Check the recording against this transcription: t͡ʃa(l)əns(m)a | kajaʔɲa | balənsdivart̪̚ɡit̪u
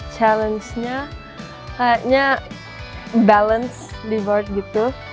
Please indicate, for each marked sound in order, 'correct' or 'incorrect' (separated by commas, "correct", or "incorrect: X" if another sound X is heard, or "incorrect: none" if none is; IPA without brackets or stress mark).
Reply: correct, incorrect: ɲ